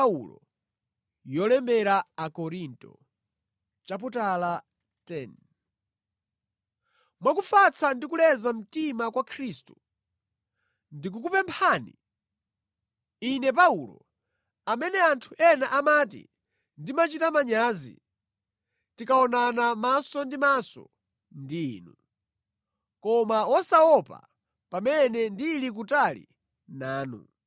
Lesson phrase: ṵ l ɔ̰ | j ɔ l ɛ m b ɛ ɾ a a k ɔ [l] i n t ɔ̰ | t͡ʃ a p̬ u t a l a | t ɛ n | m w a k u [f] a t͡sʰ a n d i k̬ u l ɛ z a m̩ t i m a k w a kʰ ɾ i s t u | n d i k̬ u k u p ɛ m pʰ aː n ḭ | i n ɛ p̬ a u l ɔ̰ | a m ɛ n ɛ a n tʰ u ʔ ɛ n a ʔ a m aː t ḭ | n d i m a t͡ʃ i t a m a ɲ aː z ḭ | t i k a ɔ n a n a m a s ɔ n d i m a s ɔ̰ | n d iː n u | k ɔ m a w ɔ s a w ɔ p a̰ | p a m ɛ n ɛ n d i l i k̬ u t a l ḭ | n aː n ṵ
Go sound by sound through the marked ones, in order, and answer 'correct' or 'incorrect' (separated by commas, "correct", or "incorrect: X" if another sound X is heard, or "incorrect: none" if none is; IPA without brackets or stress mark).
incorrect: ɾ, correct